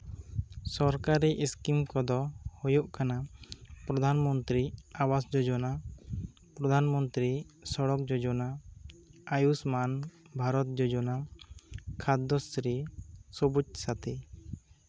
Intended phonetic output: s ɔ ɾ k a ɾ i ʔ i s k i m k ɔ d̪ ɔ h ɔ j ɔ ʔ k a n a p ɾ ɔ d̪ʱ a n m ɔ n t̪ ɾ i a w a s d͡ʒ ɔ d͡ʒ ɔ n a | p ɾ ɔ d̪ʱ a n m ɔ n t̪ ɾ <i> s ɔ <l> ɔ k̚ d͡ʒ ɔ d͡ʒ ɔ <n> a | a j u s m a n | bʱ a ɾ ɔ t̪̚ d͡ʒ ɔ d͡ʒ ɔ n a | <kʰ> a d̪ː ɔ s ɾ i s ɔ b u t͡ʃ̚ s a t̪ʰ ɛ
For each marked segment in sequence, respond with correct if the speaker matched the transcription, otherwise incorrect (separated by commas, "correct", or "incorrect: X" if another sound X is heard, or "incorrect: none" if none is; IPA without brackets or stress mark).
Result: correct, incorrect: ɽ, correct, correct